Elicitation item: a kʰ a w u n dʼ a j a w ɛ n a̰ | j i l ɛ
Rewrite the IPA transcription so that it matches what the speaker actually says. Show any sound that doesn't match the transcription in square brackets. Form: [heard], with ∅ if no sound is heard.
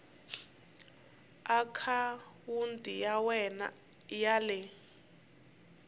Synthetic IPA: a kʰ a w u n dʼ [i] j a w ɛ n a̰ | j [a] l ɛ